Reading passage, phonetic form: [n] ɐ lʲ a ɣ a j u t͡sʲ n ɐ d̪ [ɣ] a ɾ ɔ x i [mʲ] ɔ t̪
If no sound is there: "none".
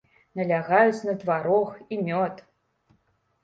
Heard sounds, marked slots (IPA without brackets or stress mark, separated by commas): n, v, mʲ